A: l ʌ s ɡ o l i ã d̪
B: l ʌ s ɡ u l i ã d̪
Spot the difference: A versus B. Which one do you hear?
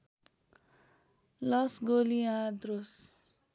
A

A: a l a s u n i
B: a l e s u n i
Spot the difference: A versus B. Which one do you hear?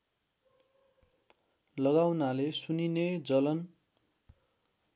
B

